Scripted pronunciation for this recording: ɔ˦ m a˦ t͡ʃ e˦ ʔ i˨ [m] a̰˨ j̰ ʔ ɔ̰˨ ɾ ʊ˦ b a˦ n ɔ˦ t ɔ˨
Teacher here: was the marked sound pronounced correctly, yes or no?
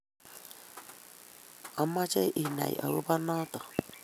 no